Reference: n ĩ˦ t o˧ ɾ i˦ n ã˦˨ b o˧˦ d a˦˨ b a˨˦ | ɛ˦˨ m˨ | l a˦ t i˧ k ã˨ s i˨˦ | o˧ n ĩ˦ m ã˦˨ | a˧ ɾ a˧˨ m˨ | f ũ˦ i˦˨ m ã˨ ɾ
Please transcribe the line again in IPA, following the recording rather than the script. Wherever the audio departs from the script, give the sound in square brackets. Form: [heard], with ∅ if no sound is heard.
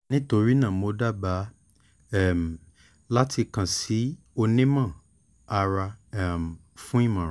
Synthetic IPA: n ĩ˦ t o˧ ɾ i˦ n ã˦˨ [m] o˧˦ d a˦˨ b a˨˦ | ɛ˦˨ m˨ | l a˦ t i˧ k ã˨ s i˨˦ | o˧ n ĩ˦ m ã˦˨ | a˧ ɾ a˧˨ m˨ | f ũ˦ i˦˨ m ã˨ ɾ